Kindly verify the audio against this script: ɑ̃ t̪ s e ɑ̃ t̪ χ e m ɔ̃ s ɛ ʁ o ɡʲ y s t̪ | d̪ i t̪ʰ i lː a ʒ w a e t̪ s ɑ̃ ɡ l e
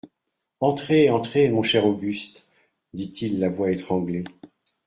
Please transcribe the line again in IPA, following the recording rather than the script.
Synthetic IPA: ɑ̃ t̪ χ e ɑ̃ t̪ χ e m ɔ̃ ʃ ɛ ʁ o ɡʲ y s t̪ | d̪ i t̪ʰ i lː a v w a e t̪ χ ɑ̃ ɡ l e